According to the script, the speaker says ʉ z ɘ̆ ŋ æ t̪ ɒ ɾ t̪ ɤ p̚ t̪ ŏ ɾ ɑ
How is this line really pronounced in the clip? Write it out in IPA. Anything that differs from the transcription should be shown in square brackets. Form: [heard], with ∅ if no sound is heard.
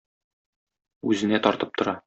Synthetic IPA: ʉ z ɘ̆ [n] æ t̪ ɒ ɾ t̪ ɤ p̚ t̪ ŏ ɾ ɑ